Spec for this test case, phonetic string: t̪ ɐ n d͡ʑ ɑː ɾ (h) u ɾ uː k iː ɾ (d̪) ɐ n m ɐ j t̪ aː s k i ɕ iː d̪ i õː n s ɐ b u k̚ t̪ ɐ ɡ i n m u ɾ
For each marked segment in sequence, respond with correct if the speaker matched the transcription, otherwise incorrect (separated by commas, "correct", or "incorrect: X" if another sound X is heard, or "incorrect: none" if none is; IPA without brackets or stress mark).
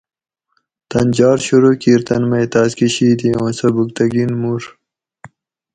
incorrect: ɕ, incorrect: t̪